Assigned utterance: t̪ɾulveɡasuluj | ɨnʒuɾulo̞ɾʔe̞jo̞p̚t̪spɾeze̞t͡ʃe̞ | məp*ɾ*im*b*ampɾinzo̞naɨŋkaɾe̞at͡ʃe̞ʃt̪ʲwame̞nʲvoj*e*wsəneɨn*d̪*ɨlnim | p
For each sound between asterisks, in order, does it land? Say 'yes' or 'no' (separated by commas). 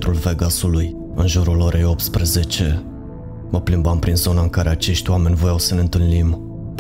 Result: no, yes, no, no